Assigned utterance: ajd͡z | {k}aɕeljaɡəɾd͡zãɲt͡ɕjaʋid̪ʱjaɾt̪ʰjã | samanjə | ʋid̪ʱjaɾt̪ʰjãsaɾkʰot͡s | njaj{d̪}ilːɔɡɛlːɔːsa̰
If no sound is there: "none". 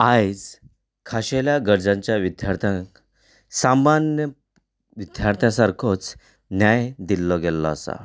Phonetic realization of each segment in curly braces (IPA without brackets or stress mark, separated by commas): kʰ, d̪